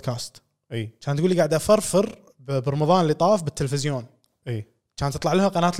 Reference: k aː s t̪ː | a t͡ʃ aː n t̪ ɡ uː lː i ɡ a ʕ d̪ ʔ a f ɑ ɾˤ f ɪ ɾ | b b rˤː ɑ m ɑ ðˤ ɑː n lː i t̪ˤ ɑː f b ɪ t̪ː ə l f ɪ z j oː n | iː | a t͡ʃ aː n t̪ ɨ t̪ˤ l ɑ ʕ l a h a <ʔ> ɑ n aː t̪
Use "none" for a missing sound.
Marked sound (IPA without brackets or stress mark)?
q